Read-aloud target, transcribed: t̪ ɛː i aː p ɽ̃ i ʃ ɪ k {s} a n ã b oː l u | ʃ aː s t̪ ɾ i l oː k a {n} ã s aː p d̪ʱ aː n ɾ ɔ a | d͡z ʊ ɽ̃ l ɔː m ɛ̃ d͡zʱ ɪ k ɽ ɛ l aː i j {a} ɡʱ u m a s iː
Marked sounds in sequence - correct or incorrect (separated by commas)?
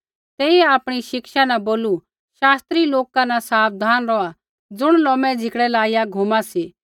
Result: incorrect, correct, correct